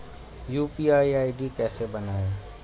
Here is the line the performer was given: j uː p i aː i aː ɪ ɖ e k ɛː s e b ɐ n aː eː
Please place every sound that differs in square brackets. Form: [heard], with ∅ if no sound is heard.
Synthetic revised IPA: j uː p i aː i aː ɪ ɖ [i] k ɛː s e b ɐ n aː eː